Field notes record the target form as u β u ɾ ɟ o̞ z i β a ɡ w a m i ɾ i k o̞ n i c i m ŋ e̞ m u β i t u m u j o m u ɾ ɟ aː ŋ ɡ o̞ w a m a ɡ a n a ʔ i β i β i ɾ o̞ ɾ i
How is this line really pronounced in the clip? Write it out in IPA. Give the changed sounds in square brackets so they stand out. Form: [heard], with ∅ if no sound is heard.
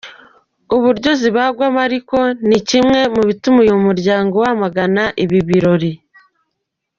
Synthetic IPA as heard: u β u ɾ ɟ o̞ z i β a ɡ w a m [a] ɾ i k o̞ n i c i m ŋ e̞ m u β i t u m u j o m u ɾ ɟ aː ŋ ɡ o̞ w a m a ɡ a n a ʔ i β i β i ɾ o̞ ɾ i